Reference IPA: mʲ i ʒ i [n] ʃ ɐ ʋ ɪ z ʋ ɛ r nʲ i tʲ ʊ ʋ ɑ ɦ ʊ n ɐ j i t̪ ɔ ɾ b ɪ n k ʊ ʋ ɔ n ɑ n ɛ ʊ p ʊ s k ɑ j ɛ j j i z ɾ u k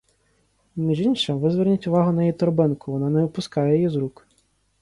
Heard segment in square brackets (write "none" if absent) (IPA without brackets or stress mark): n